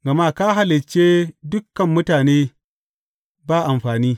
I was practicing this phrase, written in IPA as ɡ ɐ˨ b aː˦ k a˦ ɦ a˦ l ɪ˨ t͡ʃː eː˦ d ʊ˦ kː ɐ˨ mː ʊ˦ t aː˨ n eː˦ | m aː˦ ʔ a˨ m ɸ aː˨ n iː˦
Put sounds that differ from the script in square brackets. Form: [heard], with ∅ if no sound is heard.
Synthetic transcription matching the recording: ɡ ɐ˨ [m] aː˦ k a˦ ɦ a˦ l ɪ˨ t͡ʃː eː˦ d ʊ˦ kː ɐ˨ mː ʊ˦ t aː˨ n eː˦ | [b] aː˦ ʔ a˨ m ɸ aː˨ n iː˦